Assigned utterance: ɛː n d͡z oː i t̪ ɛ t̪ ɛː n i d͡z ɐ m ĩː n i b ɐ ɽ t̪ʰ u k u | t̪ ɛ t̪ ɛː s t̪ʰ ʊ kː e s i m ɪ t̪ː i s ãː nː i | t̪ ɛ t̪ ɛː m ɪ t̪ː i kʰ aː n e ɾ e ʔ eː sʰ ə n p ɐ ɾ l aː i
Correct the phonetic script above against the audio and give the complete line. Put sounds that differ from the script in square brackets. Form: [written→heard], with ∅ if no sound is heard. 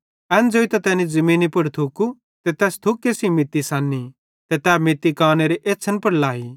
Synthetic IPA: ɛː n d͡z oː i t̪ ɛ t̪ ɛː n i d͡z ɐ m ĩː n i [b→p] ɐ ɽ t̪ʰ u k u | t̪ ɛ t̪ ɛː s t̪ʰ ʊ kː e s i m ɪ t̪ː i s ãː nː i | t̪ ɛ t̪ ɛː m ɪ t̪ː i [kʰ→k] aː n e ɾ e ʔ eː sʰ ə n p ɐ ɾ l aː i